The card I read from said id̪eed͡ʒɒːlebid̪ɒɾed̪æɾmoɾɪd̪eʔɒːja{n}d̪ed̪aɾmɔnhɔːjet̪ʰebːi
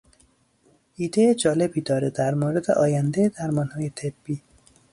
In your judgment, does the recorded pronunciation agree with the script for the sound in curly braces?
yes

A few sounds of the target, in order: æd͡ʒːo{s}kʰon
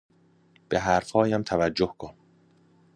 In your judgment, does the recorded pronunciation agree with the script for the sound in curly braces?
no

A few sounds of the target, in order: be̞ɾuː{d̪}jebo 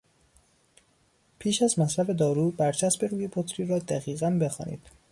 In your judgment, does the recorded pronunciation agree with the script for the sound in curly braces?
no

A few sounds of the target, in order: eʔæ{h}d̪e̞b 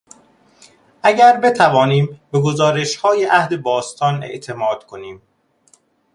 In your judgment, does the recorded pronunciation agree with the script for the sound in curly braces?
yes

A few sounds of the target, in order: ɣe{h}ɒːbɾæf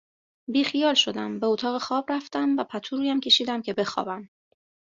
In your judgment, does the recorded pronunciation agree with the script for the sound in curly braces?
no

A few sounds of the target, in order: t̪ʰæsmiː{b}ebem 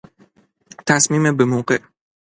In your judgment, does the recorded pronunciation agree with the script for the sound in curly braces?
no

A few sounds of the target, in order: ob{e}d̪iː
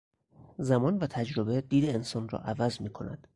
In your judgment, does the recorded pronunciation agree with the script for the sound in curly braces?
yes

